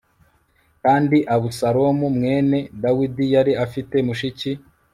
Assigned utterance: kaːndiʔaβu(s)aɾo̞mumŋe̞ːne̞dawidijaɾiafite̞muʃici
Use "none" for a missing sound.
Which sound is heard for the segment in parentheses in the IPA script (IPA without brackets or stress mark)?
s